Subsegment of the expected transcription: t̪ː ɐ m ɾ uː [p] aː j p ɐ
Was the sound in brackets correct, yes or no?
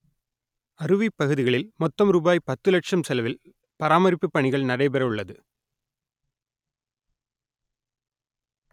no